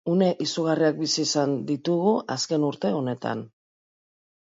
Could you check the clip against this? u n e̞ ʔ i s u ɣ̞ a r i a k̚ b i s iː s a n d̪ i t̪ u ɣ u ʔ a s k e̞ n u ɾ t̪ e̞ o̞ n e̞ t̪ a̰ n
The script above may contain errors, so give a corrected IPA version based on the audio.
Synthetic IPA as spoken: u n e̞ ʔ i s u ɣ̞ a r i a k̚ b i s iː s a n d̪ i t̪ u ɣ u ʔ a s k e̞ n u ɾ t̪ e̞ o̞ n e̞ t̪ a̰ n